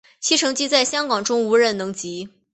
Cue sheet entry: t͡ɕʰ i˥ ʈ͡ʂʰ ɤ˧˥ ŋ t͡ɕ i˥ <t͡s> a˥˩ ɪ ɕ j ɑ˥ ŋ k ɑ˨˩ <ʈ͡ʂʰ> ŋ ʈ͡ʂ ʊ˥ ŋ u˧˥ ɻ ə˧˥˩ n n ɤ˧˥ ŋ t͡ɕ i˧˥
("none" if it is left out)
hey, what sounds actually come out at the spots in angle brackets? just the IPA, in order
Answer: t͡s, none

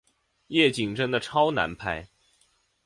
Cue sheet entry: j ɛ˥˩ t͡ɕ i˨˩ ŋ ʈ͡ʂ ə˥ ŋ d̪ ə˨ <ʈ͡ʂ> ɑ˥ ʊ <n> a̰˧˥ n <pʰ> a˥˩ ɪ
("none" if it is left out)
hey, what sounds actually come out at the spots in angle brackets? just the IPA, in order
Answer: ʈ͡ʂʰ, n, pʰ

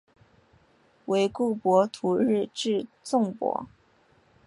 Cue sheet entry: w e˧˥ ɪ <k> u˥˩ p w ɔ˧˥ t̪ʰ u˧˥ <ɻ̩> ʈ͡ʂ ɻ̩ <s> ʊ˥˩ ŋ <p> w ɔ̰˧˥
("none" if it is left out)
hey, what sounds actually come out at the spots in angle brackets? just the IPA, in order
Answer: k, ɻ̩, t͡s, p

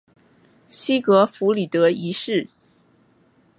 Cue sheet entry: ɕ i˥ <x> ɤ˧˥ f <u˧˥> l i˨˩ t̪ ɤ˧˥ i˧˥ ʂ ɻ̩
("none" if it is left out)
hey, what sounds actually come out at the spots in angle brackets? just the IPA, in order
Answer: k, u˧˥

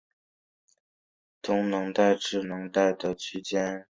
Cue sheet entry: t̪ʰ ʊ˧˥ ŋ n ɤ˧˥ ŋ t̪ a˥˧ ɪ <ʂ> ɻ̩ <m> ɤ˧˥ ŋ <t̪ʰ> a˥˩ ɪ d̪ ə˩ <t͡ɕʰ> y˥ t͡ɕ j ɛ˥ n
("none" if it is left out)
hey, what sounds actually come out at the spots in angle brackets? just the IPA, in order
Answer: ʈ͡ʂ, n, t̪, t͡ɕʰ

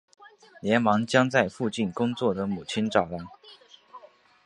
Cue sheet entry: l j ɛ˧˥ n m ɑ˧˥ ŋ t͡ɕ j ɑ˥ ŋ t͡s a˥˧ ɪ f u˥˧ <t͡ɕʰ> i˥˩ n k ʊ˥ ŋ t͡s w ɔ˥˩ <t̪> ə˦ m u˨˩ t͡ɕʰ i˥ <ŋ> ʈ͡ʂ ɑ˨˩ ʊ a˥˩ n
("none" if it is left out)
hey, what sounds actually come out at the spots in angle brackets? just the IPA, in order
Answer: t͡ɕ, d̪, n

